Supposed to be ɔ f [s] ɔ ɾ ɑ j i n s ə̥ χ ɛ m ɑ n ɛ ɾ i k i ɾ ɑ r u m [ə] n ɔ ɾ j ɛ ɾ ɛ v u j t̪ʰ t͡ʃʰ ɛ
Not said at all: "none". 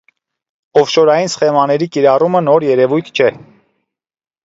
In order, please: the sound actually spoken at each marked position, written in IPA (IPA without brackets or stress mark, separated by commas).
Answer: ʃ, ə